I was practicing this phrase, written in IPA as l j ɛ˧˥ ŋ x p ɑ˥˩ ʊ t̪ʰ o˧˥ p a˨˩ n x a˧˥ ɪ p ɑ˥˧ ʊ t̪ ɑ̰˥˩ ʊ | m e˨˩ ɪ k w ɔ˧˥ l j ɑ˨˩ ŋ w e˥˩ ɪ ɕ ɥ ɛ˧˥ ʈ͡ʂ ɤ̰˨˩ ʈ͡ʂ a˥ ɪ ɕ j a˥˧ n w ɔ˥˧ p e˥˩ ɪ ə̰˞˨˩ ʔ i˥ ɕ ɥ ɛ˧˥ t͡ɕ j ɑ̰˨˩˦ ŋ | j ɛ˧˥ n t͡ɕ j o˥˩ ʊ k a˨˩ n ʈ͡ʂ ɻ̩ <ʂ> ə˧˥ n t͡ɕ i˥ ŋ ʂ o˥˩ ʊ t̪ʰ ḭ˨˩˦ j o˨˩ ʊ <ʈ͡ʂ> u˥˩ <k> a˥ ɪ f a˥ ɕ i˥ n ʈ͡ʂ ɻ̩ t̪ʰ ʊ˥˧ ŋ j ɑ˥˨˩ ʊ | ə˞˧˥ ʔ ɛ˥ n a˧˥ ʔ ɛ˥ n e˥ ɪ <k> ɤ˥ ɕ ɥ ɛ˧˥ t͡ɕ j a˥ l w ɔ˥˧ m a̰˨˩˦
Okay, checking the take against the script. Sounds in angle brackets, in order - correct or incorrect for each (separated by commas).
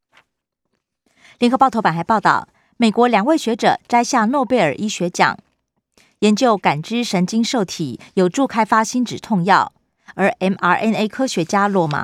correct, correct, incorrect, incorrect